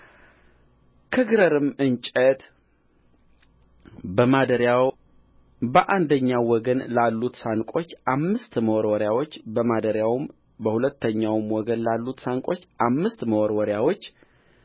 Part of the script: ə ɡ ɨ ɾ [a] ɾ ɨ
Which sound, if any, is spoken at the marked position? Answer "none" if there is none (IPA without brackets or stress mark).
ə